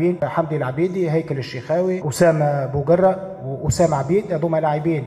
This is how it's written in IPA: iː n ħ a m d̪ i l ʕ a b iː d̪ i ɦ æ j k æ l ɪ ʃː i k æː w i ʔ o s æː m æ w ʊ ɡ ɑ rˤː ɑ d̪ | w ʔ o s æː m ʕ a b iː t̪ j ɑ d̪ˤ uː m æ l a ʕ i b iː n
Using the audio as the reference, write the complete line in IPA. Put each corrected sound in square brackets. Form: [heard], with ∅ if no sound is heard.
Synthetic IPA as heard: iː n ħ a m d̪ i l ʕ a b iː d̪ i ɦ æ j k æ l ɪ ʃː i [x] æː w i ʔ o s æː m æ [b] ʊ ɡ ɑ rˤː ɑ [∅] | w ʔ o s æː m ʕ a b iː [d̪] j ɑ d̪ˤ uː m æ l a ʕ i b iː n